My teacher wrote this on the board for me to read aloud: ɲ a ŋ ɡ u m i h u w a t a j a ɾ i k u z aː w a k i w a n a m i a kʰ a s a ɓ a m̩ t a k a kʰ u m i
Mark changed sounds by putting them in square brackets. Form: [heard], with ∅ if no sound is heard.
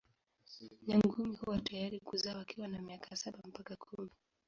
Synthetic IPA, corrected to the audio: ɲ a ŋ ɡ u m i h u w a t a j a ɾ i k u z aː w a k i w a n a m i a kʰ a s a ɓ a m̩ [p] a k a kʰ u m i